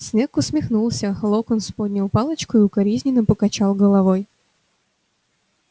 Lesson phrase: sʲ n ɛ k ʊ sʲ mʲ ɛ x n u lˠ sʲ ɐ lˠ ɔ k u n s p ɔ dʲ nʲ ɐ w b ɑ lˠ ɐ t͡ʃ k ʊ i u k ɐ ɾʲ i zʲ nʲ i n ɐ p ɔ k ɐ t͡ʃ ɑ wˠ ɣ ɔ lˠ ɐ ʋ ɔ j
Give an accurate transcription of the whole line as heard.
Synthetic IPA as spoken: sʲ n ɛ k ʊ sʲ mʲ i x n u lˠ sʲ ɐ lˠ ɔ k ɔ n s p ɔ dʲ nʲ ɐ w p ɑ lˠ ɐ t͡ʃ k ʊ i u k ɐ ɾʲ i zʲ nʲ i n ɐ p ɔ k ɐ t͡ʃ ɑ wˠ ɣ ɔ lˠ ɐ ʋ ɔ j